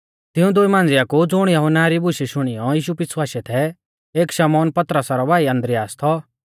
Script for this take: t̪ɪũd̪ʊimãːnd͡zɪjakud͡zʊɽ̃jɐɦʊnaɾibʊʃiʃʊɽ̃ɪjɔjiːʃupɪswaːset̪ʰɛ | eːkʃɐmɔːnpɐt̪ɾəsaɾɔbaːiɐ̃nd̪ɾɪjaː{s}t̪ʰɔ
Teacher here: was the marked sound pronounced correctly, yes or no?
yes